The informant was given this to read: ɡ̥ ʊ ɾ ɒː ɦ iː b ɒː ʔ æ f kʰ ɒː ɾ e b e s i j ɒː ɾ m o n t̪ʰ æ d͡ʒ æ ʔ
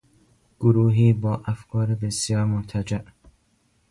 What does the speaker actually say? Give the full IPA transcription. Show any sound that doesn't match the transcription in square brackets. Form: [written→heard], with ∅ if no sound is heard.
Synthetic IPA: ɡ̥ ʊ ɾ [ɒː→uː] ɦ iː b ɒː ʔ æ f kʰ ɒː ɾ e b e s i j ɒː ɾ m o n t̪ʰ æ d͡ʒ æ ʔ